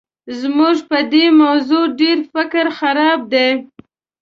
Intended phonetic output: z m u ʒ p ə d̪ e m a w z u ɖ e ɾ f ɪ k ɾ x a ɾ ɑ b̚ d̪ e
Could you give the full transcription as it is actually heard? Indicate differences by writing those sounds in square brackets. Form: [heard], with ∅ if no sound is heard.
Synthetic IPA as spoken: z m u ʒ p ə d̪ e m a w z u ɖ e ɾ f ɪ k ɾ x a ɾ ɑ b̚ d̪ e

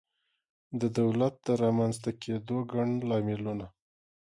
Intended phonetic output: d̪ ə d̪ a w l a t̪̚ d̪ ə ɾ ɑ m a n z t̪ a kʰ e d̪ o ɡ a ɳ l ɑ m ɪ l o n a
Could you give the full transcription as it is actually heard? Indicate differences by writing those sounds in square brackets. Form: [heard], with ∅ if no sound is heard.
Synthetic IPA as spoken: d̪ ə d̪ a w l a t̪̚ d̪ ə ɾ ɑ m a n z t̪ a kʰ e d̪ o ɡ a ɳ l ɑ m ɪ l [u] n a

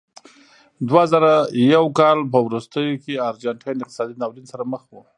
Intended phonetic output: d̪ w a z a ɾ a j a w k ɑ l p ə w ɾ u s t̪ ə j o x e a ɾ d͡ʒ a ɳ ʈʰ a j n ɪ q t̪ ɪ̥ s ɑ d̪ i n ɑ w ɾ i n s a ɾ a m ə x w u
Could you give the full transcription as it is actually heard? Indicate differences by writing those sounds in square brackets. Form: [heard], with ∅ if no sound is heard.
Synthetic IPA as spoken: d̪ w a z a ɾ a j a w k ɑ l p ə w ɾ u s t̪ ə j o [k] e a ɾ d͡ʒ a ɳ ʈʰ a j n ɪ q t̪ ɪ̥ s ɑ d̪ i n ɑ w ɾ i n s a ɾ a m ə x w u

